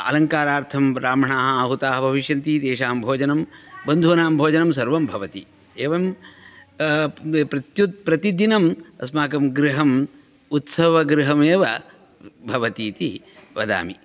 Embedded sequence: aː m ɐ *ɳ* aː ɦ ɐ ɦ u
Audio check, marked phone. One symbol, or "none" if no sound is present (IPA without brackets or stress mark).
ɳ